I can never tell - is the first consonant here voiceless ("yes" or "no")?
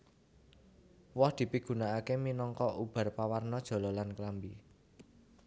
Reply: no